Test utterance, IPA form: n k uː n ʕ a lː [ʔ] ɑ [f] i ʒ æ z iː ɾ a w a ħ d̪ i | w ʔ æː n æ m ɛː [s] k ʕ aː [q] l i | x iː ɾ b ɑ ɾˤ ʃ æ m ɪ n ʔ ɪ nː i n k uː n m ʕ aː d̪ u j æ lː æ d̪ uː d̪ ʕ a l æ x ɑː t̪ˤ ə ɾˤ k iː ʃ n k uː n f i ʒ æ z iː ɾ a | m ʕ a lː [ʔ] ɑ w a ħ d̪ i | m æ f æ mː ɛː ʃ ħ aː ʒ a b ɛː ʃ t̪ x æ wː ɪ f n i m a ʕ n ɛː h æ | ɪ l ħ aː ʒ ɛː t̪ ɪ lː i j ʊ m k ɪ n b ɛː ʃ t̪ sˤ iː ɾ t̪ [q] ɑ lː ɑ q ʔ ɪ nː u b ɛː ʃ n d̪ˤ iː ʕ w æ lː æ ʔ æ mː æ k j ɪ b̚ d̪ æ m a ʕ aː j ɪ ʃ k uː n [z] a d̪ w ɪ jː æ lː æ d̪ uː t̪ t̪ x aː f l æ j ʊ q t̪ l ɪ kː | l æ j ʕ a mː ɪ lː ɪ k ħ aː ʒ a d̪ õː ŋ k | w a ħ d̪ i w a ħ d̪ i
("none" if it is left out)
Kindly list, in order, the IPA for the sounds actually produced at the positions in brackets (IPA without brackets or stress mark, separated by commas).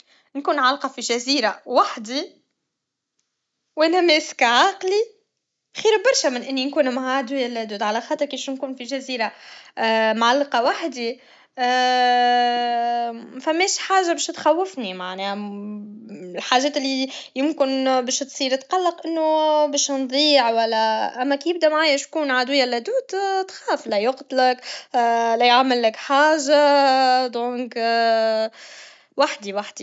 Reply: q, f, s, q, q, q, ʕ